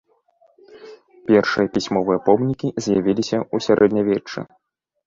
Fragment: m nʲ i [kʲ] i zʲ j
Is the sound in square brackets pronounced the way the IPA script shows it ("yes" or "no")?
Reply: yes